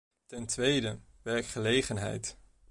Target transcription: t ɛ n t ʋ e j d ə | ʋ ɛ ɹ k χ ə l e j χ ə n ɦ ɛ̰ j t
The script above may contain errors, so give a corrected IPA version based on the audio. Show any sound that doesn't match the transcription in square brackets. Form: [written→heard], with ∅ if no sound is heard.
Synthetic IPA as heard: t ɛ n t ʋ e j d ə | ʋ ɛ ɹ k χ ə l e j χ ə n ɦ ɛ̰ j t